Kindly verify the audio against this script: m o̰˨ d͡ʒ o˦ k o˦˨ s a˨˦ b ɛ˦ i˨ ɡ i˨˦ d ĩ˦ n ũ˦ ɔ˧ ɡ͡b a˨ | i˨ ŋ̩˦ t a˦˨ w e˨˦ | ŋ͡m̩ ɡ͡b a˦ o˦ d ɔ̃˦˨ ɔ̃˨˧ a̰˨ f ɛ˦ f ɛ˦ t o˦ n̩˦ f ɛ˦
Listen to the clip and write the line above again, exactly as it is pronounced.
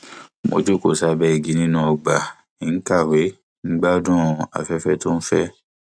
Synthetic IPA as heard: m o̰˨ d͡ʒ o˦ k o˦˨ s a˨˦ b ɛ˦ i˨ ɡ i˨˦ n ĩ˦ n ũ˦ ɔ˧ ɡ͡b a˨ | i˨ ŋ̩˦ k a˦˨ w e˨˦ | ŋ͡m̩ ɡ͡b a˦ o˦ d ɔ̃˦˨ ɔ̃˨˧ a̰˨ f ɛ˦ f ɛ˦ t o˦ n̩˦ f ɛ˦